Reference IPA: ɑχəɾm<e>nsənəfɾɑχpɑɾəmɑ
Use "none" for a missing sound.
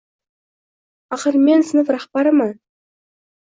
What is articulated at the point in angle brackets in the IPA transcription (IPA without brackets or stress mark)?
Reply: e